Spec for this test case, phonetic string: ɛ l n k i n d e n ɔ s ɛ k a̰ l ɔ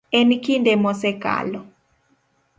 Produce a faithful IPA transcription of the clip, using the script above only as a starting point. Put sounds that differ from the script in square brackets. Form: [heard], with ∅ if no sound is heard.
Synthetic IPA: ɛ [∅] n k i n d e [m] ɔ s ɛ k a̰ l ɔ